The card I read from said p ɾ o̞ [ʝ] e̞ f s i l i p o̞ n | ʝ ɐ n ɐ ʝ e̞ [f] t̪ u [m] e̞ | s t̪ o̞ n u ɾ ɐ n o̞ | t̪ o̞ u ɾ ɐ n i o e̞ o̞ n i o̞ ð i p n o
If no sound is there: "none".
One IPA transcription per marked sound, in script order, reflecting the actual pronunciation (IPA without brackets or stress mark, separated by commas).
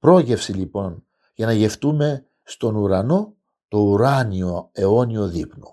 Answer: ʝ, f, m